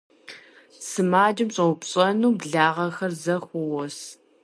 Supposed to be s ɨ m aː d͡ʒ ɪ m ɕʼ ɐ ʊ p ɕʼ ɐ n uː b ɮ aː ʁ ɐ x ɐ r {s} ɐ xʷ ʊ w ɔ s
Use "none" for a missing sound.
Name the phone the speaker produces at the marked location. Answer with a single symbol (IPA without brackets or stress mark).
z